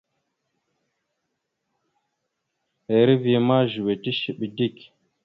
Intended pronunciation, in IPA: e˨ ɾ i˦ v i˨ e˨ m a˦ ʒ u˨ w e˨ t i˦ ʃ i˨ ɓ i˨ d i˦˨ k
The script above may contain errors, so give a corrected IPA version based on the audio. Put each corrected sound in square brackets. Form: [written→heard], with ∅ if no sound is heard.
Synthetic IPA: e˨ ɾ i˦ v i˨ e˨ m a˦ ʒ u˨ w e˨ t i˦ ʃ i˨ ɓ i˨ d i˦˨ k